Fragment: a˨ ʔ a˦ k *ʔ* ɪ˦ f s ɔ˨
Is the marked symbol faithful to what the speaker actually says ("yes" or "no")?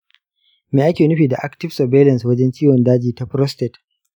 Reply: no